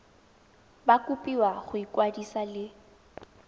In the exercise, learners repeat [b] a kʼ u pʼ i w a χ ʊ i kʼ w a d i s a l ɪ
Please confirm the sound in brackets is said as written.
yes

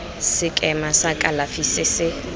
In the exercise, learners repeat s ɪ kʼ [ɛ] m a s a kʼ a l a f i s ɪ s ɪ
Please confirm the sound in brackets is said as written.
yes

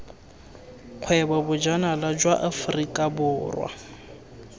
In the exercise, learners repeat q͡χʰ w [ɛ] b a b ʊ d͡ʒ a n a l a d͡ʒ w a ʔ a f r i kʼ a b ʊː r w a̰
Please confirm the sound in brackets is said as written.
yes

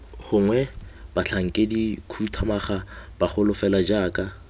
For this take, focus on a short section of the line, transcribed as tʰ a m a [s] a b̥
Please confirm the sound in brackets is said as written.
no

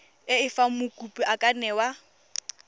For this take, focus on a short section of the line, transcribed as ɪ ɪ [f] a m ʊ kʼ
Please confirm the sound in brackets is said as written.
yes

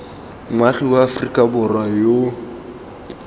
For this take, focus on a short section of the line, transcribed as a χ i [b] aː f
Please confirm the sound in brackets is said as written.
no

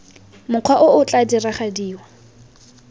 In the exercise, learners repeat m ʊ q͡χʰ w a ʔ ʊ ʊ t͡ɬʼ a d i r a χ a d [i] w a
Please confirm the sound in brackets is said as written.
no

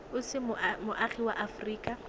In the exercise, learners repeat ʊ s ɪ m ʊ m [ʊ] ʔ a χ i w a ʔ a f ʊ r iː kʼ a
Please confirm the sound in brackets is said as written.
yes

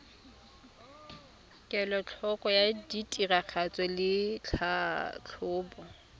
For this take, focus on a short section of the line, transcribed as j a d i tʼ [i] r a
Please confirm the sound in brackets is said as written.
yes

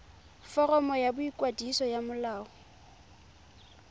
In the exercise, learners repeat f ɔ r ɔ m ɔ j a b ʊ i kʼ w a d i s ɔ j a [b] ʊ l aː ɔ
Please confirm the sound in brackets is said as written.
no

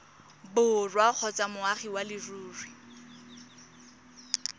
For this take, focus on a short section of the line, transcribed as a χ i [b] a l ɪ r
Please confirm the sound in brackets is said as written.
no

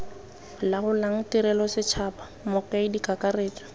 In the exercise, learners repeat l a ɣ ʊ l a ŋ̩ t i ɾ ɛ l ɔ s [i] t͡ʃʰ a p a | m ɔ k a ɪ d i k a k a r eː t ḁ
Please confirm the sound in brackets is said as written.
no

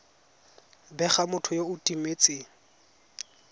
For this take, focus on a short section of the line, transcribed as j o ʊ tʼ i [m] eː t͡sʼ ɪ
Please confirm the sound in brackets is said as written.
yes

